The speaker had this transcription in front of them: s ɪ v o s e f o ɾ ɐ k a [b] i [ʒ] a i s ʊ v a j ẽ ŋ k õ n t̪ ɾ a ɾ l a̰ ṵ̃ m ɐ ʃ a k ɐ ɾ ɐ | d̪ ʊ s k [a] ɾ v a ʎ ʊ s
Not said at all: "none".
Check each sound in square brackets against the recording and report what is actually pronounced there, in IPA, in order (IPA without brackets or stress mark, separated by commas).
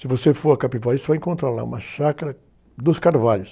p, v, a